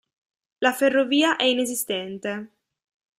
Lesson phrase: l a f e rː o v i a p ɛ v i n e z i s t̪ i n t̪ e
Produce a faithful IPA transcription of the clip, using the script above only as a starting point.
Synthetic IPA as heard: l a f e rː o v iː a ʔ ɛ i n e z i s t̪ ɛ n t̪ e